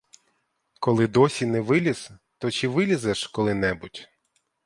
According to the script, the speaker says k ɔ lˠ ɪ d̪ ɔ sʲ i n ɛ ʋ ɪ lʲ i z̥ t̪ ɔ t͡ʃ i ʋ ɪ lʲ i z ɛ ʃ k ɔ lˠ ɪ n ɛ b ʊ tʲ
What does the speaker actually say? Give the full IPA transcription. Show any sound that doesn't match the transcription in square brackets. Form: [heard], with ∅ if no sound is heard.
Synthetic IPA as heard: k ɔ lˠ ɪ d̪ ɔ sʲ i n ɛ ʋ ɪ lʲ i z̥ t̪ ɔ t͡ʃ i ʋ ɪ lʲ i z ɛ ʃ k ɔ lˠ ɪ n ɛ b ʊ tʲ

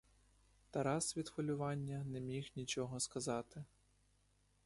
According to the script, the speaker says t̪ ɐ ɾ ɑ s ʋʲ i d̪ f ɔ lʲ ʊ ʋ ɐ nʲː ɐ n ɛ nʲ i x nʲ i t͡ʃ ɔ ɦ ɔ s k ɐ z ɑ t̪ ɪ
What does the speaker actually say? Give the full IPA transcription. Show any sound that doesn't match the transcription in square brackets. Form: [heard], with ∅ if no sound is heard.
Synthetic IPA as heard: t̪ ɐ ɾ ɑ s ʋʲ i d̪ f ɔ lʲ ʊ ʋ [ɑ] nʲː ɐ n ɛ [mʲ] i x nʲ i t͡ʃ ɔ ɦ ɔ s k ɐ z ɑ t̪ ɪ

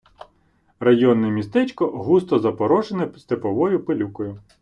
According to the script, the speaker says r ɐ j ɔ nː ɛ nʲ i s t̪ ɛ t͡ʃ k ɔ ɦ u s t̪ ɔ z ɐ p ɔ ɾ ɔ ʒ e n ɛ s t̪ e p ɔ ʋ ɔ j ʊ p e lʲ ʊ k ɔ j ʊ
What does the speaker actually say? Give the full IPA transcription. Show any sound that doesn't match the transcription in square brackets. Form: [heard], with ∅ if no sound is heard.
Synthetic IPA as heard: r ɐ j ɔ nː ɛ [mʲ] i s t̪ ɛ t͡ʃ k ɔ ɦ u s t̪ ɔ z ɐ p ɔ ɾ ɔ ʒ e n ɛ s t̪ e p ɔ ʋ ɔ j ʊ p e lʲ [u] k ɔ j ʊ

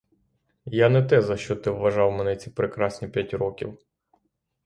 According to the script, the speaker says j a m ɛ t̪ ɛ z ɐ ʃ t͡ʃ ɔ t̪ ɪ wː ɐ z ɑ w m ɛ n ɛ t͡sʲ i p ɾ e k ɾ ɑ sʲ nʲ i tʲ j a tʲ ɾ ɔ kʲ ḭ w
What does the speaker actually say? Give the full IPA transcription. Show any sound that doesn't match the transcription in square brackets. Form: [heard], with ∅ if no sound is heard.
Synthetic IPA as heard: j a [n] ɛ t̪ ɛ z ɐ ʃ t͡ʃ ɔ t̪ ɪ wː ɐ [ʒ] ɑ w m ɛ n ɛ t͡sʲ i p ɾ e k ɾ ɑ sʲ nʲ i [pʲ] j a tʲ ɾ ɔ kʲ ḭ w

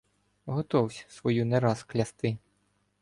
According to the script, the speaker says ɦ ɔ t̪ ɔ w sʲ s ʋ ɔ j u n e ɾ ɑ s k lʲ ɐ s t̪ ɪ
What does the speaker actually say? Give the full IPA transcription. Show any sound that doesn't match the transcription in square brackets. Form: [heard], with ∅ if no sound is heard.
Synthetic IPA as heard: ɦ ɔ t̪ ɔ w sʲ s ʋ ɔ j u n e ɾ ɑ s k lʲ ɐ s t̪ ɪ

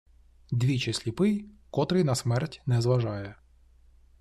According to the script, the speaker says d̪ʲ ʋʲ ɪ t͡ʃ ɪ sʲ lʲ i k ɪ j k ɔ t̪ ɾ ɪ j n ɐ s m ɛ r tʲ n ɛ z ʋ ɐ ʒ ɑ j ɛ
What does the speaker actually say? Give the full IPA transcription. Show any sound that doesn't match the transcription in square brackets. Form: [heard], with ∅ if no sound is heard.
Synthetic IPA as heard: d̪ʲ ʋʲ [i] t͡ʃ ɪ sʲ lʲ i [p] ɪ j k ɔ t̪ ɾ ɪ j n ɐ s m ɛ r tʲ n ɛ z ʋ ɐ ʒ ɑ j ɛ

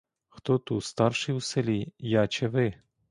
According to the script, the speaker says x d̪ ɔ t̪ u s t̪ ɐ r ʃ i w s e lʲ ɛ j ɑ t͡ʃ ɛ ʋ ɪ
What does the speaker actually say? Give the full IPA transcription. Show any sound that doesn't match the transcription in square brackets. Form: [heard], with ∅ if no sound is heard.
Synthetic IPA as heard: x [t̪] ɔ t̪ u s t̪ [ɑ] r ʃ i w s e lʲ [i] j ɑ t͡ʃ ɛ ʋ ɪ

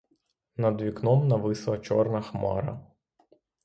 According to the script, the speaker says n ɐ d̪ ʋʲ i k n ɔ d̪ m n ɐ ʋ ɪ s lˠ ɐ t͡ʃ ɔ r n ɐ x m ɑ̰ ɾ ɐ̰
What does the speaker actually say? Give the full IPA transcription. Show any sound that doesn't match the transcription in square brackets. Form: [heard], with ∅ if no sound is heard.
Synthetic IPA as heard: n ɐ d̪ ʋʲ i k n ɔ [∅] m n ɐ ʋ ɪ s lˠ ɐ t͡ʃ ɔ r n ɐ x m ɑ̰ ɾ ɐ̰

